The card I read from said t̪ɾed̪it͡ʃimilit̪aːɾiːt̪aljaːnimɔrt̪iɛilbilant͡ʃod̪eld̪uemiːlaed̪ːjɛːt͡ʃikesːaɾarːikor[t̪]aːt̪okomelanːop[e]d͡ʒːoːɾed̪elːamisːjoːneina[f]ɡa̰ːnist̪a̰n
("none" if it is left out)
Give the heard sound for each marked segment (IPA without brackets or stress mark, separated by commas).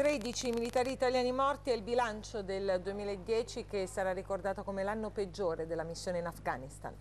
d̪, e, f